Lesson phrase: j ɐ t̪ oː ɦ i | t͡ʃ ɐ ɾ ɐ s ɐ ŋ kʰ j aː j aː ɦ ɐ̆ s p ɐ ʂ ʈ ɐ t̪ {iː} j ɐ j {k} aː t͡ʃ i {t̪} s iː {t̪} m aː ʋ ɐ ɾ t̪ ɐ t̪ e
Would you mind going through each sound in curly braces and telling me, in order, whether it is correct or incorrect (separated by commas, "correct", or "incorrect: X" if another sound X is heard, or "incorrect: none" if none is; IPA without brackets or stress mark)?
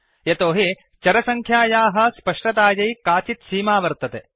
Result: incorrect: aː, correct, correct, incorrect: none